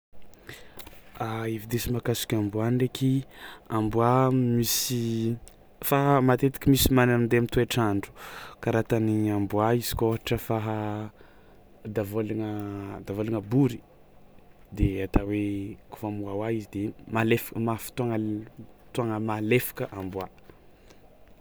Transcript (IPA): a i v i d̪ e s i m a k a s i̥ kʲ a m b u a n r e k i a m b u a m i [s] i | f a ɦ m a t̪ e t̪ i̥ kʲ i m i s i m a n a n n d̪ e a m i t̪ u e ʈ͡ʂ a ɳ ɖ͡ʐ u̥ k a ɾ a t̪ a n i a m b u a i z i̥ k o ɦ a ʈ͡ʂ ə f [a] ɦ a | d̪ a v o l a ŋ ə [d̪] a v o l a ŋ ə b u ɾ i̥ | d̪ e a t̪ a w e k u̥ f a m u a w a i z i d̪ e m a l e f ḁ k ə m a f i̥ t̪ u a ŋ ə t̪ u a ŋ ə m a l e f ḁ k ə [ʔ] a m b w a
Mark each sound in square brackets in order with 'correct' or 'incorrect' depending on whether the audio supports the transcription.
correct, correct, correct, correct

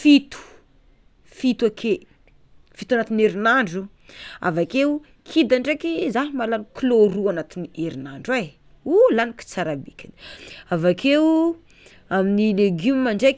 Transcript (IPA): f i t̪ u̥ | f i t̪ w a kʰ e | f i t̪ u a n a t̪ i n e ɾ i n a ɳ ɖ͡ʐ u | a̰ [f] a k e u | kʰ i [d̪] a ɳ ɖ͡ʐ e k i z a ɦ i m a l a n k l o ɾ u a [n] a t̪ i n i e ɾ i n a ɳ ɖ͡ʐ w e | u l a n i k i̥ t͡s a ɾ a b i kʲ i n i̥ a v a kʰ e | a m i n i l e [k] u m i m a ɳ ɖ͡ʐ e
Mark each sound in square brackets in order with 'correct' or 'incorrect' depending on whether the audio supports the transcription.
incorrect, correct, correct, incorrect

